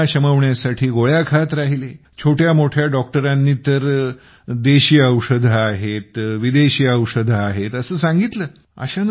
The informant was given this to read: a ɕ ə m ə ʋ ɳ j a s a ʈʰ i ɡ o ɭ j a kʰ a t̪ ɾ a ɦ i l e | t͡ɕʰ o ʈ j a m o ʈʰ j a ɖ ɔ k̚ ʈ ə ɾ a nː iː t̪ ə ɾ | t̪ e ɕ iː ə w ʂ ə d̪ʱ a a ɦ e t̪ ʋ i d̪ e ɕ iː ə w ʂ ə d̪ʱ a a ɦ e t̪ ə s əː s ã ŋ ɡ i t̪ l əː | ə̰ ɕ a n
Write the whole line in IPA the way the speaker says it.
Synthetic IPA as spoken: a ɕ ə m ə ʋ ɳ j a s a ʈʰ iː ɡ o ɭ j a kʰ a t̪ ɾ a ɦ i l e | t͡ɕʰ o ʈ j a m o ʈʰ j a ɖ ɔ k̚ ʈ ə ɾ a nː iː t̪ ə ɾ | d̪ e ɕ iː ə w ʂ ə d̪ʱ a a ɦ e t̪ ʋ i d̪ e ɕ iː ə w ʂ ə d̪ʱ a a ɦ e t̪ ə s əː s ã ŋ ɡ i t̪ l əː | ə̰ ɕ a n